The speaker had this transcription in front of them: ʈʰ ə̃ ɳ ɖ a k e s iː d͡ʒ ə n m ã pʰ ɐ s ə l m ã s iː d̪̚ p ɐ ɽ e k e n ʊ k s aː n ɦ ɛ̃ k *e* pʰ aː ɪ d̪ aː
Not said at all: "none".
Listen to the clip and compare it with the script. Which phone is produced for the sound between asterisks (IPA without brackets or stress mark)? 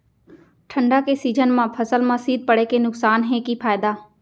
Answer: i